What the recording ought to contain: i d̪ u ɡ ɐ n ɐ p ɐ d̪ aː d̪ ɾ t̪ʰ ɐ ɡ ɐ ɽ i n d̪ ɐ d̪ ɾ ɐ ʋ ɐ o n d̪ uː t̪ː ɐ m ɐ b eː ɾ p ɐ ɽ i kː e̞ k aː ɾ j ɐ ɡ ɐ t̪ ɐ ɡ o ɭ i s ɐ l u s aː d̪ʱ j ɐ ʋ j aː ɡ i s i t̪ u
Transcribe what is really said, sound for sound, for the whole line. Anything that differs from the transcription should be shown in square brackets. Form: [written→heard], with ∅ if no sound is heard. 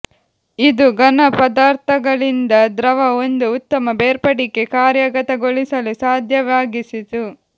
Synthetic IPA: i d̪ u ɡ ɐ n ɐ p ɐ d̪ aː [d̪→∅] ɾ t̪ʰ ɐ ɡ ɐ [ɽ→ɭ] i n d̪ ɐ d̪ ɾ ɐ ʋ ɐ o n d̪ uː t̪ː ɐ m ɐ b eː ɾ p ɐ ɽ i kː e̞ k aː ɾ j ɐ ɡ ɐ t̪ ɐ ɡ o ɭ i s ɐ l u s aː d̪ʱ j ɐ ʋ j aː ɡ i s i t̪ u